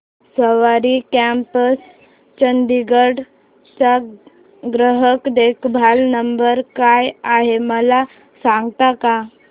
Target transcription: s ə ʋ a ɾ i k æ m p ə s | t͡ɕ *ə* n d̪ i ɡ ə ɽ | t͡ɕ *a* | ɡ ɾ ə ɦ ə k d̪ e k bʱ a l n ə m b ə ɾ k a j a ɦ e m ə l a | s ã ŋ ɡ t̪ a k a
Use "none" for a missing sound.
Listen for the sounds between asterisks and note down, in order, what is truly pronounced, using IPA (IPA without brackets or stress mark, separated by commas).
ə, a